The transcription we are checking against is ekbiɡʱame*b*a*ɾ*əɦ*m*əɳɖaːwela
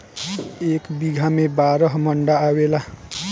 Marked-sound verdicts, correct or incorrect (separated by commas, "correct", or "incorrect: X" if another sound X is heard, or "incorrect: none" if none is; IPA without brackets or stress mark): correct, correct, correct